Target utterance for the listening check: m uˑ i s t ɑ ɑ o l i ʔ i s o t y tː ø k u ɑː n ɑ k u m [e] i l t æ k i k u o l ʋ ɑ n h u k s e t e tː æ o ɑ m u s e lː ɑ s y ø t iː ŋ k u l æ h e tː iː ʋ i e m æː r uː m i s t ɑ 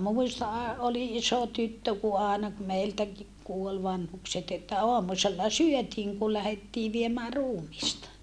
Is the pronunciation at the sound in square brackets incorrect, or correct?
correct